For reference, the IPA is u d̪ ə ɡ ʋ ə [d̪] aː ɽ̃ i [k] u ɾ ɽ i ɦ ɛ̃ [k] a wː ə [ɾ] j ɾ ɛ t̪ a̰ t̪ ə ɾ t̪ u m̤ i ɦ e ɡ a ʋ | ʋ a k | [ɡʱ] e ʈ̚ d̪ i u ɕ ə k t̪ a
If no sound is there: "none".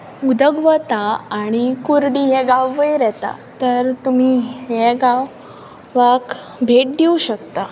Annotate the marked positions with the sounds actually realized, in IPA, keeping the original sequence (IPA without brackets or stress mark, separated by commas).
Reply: t̪, k, ɡ, none, bʱ